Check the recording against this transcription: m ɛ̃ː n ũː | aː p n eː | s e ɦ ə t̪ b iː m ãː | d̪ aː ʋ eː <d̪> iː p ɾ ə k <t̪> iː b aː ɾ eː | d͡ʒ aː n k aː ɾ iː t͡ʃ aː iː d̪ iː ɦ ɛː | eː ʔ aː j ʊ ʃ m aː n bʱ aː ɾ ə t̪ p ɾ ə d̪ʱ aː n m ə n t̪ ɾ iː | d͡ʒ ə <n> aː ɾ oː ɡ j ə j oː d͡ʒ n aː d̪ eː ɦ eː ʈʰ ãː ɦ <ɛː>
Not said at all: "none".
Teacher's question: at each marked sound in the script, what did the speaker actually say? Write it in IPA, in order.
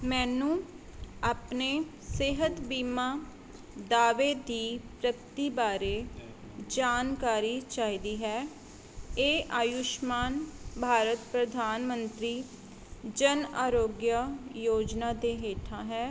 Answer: d̪, t̪, n, ɛː

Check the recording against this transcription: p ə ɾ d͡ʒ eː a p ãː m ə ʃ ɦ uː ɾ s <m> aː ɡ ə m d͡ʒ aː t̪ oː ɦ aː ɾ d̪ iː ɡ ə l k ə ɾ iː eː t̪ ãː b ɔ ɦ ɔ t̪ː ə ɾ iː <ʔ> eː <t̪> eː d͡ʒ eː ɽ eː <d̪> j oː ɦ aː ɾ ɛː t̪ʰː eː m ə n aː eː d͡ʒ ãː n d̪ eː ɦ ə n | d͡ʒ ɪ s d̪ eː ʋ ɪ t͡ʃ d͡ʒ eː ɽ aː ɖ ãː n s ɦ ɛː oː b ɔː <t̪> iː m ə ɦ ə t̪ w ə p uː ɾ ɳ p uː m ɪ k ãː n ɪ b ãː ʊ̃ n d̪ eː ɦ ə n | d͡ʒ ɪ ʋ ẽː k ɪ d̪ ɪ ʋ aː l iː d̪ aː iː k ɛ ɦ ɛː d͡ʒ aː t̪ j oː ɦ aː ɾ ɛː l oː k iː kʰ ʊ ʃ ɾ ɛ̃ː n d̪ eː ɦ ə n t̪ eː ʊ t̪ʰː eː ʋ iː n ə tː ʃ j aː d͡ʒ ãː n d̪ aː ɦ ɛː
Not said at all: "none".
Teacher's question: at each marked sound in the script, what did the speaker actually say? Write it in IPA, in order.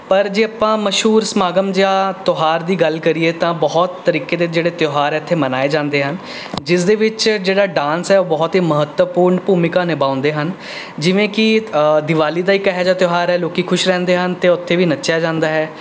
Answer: m, k, d̪, t̪, t̪

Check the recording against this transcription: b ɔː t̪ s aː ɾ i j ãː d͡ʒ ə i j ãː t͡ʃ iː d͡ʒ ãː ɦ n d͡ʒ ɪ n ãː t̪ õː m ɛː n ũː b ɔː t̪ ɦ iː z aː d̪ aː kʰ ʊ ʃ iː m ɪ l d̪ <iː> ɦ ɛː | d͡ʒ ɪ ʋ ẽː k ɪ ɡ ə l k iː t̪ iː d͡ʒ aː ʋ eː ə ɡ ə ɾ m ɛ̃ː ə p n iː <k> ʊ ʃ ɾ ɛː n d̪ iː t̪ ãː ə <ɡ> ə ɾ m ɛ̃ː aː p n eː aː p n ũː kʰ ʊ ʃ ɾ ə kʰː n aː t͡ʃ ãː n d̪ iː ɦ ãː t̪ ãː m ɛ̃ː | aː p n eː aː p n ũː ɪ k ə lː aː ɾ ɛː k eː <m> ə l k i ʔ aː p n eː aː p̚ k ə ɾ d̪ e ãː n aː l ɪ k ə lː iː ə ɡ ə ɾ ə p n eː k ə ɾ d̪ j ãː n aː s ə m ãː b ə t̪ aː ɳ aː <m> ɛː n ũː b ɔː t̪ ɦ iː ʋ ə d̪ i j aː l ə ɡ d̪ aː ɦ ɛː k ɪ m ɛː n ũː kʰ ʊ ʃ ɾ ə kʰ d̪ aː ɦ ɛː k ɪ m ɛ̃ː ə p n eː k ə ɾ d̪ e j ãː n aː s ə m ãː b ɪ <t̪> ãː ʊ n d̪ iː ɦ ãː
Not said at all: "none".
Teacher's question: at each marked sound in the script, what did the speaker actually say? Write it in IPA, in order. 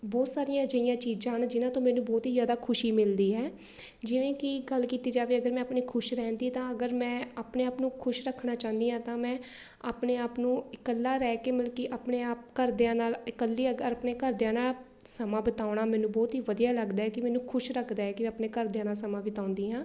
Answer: iː, kʰ, ɡ, m, m, t̪

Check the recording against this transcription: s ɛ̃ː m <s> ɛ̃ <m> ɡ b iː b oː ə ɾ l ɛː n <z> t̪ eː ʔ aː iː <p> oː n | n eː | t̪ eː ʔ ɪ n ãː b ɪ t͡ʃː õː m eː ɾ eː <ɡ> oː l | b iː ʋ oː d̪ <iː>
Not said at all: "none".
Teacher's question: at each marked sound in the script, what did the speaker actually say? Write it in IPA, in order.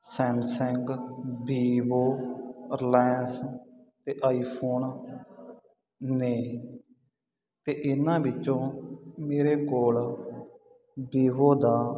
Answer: s, ŋ, s, pʰ, k, aː

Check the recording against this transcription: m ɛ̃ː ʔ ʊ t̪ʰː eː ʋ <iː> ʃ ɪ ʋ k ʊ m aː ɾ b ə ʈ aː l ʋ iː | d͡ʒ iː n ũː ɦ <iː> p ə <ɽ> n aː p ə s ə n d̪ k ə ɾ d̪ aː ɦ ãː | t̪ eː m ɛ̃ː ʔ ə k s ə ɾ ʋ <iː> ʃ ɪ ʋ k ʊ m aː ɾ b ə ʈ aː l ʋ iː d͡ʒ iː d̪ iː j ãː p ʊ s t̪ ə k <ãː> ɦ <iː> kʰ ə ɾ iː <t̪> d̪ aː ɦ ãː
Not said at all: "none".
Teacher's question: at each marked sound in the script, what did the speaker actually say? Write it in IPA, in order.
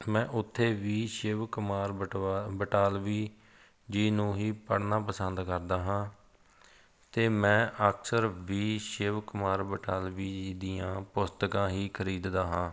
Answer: iː, iː, ɽ, iː, ãː, iː, d̪

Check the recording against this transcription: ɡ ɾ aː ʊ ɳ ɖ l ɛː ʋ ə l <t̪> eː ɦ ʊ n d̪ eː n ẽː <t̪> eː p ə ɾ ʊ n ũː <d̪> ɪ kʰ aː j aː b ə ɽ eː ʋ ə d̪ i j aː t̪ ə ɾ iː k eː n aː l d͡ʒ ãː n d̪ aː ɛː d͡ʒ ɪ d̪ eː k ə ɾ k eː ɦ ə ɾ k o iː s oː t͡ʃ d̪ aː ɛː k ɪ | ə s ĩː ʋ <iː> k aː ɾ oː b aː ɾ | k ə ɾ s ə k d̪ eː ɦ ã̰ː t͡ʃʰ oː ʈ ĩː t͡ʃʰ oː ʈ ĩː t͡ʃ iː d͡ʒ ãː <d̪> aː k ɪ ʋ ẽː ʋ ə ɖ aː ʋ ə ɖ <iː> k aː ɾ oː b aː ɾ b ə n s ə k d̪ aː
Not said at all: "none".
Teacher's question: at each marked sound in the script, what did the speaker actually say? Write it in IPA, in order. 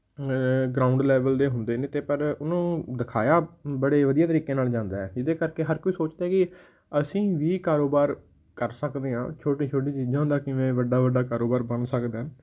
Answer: d̪, t̪, d̪, iː, d̪, aː

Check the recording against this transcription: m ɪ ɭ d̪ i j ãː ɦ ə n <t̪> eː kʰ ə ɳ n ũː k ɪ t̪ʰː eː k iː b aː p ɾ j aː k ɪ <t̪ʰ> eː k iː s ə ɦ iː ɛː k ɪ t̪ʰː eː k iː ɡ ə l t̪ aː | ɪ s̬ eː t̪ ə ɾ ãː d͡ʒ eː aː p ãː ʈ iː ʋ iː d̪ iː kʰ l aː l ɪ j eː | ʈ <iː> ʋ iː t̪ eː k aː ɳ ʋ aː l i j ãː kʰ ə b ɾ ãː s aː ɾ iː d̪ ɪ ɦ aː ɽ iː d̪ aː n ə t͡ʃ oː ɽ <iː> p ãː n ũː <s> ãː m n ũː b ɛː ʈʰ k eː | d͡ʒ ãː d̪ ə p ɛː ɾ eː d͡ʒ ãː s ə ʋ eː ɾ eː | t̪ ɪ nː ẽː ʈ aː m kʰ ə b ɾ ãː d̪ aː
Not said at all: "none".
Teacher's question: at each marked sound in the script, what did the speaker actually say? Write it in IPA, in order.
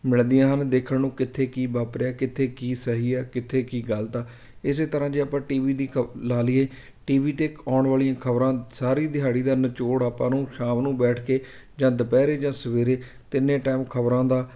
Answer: d̪, t̪ʰ, iː, aː, ʃ

